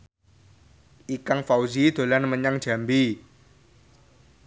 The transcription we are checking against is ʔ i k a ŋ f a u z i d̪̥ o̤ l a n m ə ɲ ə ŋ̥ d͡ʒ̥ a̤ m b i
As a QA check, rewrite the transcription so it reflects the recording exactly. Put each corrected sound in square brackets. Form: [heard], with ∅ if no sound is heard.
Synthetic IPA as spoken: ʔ i k a ŋ f a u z i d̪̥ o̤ l a n m ə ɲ [a] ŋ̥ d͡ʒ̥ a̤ m b i